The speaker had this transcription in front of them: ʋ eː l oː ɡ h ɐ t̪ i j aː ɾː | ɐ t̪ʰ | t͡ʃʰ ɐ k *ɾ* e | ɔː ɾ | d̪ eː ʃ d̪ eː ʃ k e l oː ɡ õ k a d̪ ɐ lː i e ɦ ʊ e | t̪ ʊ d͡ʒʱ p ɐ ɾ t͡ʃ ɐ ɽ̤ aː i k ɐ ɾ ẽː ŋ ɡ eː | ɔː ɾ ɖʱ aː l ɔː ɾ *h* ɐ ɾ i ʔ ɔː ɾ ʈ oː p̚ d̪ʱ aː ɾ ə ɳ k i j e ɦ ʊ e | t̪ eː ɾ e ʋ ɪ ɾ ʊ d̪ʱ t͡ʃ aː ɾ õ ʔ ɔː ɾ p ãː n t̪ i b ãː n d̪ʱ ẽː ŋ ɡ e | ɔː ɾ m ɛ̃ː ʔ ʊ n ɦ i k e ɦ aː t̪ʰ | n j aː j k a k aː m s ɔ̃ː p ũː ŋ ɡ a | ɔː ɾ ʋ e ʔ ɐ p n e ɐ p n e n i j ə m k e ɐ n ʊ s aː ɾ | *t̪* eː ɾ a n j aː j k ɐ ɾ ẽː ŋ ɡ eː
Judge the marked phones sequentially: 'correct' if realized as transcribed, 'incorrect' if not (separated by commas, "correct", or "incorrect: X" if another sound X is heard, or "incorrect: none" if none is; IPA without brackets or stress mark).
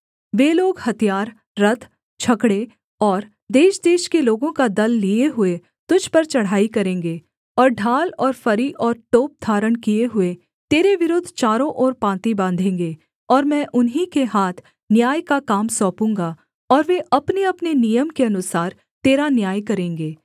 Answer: incorrect: ɽ, incorrect: f, correct